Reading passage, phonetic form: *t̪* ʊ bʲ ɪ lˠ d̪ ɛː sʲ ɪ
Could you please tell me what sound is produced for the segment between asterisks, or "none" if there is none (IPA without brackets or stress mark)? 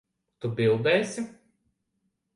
t̪